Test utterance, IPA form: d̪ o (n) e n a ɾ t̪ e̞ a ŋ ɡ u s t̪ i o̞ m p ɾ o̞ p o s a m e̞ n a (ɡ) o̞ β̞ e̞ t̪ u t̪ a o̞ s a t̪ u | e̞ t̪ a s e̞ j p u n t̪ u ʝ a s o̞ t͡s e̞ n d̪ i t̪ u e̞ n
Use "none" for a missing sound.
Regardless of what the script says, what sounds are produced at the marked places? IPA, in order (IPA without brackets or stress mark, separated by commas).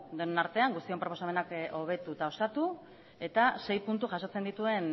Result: n, k